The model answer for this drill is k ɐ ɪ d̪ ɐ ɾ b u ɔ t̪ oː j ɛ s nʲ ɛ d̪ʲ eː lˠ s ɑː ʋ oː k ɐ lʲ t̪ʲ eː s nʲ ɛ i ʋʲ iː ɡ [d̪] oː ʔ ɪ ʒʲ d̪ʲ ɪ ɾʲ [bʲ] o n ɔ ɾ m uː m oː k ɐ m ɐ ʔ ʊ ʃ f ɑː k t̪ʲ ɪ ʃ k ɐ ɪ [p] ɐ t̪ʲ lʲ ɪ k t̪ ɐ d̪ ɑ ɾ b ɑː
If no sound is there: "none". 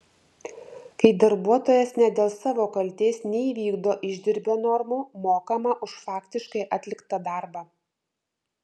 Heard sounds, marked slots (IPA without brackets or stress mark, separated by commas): d̪, bʲ, ʔ